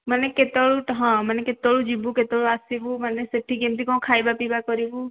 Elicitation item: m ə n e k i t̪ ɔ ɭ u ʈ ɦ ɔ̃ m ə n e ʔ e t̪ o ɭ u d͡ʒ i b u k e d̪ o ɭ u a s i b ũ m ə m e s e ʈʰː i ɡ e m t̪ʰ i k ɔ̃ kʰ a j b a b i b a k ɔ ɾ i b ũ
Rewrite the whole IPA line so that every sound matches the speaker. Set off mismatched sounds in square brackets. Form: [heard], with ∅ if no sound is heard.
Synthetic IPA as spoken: m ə n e k [e] t̪ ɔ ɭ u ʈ ɦ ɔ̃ m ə n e [k] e t̪ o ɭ u d͡ʒ i b u k e [t̪] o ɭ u a s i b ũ m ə [n] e s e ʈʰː i ɡ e m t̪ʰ i k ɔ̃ kʰ a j b a [p] i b a k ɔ ɾ i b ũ